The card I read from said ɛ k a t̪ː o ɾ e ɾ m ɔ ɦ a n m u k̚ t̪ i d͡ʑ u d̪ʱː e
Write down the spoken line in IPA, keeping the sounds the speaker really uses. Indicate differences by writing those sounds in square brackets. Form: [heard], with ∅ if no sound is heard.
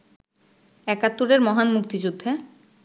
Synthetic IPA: ɛ k a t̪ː [u] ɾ e ɾ m ɔ ɦ a n m u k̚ t̪ i d͡ʑ u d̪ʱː e